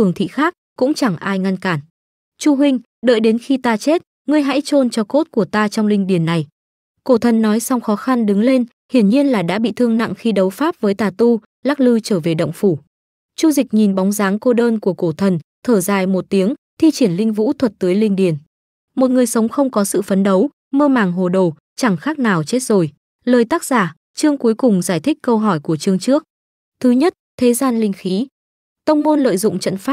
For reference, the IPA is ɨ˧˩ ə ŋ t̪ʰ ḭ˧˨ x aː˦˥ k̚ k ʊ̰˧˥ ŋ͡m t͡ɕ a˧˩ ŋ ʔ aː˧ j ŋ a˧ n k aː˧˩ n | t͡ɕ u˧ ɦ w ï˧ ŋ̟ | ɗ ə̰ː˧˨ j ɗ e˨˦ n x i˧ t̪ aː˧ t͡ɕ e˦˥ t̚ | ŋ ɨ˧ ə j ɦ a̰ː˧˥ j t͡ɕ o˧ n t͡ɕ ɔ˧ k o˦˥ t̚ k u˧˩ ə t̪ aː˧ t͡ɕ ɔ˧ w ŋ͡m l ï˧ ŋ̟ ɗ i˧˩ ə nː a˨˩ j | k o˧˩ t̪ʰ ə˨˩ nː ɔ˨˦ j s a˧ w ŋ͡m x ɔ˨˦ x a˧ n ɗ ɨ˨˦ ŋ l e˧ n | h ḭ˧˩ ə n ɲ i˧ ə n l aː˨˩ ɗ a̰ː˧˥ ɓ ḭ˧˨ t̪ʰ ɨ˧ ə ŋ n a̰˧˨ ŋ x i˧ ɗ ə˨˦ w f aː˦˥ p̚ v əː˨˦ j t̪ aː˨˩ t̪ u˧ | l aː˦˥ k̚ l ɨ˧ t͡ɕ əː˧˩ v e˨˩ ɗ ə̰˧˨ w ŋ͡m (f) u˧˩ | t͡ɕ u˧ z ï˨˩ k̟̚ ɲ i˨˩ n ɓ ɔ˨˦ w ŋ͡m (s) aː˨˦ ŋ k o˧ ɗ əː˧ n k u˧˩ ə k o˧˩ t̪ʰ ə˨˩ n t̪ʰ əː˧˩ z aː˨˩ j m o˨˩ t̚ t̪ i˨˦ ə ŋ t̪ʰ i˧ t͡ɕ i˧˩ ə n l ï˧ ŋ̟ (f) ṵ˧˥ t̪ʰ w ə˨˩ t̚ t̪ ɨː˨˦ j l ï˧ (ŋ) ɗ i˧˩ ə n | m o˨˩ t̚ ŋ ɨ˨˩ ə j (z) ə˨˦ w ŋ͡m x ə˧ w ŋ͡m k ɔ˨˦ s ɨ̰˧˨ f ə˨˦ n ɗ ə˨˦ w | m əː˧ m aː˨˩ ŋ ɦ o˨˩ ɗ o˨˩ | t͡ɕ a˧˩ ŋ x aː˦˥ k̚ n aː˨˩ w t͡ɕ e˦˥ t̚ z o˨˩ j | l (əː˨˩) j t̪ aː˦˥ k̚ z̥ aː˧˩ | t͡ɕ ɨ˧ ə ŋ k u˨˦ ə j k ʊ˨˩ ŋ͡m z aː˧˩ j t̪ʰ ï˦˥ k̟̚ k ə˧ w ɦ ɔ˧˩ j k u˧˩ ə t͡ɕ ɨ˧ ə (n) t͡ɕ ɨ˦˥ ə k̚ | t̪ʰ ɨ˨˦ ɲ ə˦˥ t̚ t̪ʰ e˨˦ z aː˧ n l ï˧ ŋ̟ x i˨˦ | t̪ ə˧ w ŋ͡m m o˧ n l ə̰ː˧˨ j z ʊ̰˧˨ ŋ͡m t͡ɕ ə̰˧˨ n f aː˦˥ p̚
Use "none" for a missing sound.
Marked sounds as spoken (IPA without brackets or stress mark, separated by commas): f, z, v, ŋ, s, əː˨˩, ŋ